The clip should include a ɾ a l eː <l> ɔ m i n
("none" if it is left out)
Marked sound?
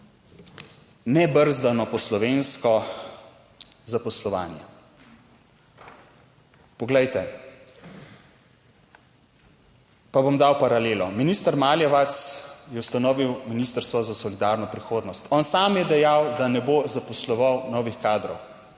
l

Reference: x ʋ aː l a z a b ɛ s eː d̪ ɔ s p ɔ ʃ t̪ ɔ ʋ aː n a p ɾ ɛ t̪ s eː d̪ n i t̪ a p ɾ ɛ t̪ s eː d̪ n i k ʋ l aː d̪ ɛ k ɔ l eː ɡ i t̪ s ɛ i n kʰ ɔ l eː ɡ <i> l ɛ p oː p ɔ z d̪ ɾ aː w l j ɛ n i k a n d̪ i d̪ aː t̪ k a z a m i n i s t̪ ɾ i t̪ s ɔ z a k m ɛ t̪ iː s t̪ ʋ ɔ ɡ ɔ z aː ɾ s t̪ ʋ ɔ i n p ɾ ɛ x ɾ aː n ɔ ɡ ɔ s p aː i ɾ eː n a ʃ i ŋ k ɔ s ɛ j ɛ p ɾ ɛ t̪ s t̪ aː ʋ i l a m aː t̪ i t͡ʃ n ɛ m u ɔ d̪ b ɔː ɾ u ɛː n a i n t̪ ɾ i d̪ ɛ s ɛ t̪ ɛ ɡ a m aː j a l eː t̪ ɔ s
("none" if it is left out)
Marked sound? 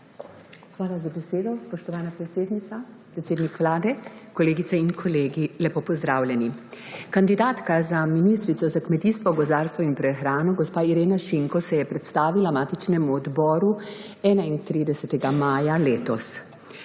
i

